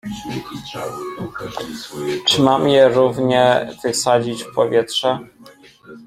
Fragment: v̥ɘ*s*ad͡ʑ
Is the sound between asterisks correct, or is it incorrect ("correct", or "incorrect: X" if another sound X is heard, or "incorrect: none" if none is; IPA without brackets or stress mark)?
correct